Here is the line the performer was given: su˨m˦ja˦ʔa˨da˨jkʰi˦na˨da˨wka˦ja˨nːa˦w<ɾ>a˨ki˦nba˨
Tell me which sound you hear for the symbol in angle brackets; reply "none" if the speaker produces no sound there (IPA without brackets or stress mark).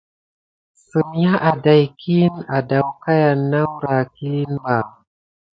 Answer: ɾ